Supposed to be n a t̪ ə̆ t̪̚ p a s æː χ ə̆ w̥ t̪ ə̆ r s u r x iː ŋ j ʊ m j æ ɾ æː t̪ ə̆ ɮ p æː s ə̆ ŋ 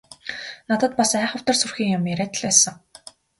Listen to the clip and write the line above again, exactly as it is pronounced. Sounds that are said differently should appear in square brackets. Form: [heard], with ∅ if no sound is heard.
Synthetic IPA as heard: n a t̪ ə̆ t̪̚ p a s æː χ ə̆ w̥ t̪ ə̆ r s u r x iː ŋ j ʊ m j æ ɾ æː t̪ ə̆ ɮ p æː s ə̆ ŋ